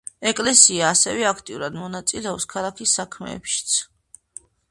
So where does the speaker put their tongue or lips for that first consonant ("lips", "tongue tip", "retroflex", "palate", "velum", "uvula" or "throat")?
velum